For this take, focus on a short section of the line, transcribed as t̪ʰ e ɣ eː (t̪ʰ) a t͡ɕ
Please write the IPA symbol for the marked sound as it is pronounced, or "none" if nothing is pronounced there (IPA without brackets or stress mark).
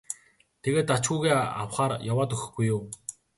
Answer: t̪